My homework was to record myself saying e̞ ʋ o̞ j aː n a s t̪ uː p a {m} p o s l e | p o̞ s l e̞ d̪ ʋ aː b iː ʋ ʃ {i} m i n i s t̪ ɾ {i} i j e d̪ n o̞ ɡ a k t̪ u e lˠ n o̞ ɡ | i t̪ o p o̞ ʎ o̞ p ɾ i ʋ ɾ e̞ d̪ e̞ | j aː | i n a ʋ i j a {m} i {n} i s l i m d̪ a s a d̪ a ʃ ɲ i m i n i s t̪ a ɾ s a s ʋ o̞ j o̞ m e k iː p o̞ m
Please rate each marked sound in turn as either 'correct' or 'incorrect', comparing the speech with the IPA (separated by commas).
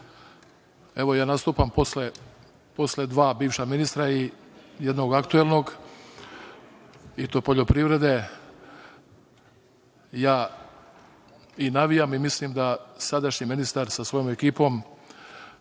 correct, incorrect, incorrect, correct, incorrect